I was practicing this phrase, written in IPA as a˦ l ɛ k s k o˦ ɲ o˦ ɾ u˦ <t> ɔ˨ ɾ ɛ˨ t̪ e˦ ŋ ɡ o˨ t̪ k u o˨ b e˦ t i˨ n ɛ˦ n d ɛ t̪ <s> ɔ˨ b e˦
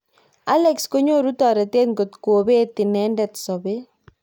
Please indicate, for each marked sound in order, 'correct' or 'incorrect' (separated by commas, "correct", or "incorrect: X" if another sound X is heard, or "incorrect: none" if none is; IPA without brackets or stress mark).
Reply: correct, correct